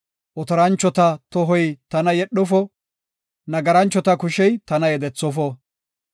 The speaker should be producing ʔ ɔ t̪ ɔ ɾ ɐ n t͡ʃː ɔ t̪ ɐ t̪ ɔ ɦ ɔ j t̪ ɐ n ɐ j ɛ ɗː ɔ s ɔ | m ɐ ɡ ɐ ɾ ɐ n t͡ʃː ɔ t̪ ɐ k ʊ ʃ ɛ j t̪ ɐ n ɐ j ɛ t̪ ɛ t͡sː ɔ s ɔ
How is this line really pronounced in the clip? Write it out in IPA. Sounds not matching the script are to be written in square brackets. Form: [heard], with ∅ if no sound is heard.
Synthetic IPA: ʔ ɔ t̪ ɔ ɾ ɐ n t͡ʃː ɔ t̪ ɐ t̪ ɔ ɦ ɔ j t̪ ɐ n ɐ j ɛ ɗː ɔ [f] ɔ | [n] ɐ ɡ ɐ ɾ ɐ n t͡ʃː ɔ t̪ ɐ k ʊ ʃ ɛ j t̪ ɐ n ɐ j ɛ [d̪] ɛ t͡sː ɔ [f] ɔ